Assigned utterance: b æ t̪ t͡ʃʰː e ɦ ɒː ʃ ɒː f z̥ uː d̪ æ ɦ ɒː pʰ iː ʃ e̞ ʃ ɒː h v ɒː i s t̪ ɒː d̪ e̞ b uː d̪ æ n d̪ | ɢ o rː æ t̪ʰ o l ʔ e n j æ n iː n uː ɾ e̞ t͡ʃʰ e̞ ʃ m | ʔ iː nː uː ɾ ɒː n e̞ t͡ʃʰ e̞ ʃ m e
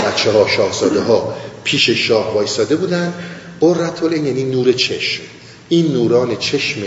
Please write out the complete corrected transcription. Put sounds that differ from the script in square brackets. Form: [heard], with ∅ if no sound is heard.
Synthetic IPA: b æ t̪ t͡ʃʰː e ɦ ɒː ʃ ɒː [h] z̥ [ɒː] d̪ [e] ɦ ɒː pʰ iː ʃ e̞ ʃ ɒː h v ɒː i s t̪ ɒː d̪ e̞ b uː d̪ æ n d̪ | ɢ o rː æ t̪ʰ o l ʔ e n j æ n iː n uː ɾ e̞ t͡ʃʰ e̞ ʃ m | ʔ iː nː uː ɾ ɒː n e̞ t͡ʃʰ e̞ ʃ m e